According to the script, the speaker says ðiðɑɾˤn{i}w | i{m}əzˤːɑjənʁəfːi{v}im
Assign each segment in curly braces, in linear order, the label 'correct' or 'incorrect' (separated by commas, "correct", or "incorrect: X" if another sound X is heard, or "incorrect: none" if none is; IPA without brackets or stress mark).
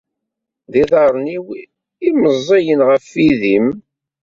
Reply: correct, correct, incorrect: ð